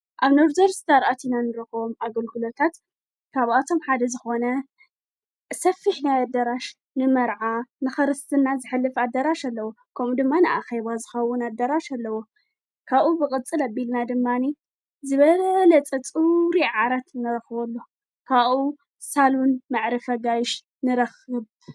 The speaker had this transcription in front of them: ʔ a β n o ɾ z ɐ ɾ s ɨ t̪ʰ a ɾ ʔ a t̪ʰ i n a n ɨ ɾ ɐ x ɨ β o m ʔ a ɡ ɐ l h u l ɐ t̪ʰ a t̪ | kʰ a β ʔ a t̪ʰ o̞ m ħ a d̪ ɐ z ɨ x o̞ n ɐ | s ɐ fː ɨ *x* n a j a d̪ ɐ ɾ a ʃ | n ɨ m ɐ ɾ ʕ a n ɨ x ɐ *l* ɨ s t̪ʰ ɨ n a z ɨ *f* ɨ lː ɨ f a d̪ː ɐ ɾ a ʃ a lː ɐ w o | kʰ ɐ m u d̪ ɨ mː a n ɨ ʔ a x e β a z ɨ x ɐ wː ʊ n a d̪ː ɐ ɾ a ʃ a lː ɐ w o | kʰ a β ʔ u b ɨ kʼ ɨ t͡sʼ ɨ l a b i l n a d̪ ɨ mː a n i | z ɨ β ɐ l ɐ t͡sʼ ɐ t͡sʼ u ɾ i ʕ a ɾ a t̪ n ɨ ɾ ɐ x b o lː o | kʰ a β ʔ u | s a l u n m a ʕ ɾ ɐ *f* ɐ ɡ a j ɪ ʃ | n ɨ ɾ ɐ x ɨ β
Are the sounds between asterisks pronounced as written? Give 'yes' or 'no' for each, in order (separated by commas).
no, no, no, yes